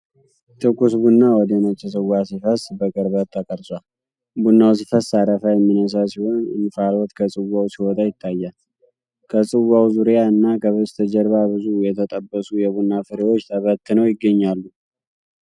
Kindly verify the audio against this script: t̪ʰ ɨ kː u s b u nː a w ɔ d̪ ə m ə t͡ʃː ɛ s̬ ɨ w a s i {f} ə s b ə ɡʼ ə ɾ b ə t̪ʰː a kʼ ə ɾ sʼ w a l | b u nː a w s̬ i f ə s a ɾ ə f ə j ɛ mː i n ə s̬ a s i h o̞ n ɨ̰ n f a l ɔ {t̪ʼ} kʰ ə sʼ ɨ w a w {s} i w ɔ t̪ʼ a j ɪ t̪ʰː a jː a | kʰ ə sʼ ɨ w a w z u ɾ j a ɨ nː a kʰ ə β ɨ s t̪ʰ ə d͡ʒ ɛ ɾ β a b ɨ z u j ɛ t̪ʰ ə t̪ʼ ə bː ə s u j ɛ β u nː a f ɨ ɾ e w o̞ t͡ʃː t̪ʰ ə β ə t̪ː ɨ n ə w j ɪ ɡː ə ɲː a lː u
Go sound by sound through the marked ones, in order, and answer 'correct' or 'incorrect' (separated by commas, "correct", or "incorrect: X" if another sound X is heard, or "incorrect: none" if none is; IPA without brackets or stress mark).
correct, incorrect: t̪, correct